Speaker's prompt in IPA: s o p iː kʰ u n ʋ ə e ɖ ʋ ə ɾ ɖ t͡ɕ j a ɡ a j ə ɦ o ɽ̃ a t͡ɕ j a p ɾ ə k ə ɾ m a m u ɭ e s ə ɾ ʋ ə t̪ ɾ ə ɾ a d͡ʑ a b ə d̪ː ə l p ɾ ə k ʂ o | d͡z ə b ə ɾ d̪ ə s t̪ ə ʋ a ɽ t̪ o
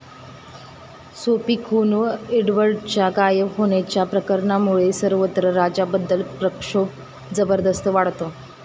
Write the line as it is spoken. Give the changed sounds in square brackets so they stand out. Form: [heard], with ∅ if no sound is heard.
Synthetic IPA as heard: s o p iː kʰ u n ʋ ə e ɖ ʋ ə ɾ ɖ t͡ɕ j a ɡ a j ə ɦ o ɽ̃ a t͡ɕ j a p ɾ ə k ə ɾ [ɳ] a m u ɭ e s ə ɾ ʋ ə t̪ ɾ ə ɾ a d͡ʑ a b ə d̪ː ə l p ɾ ə k ʂ o | d͡z ə b ə ɾ d̪ ə s t̪ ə ʋ a ɽ t̪ o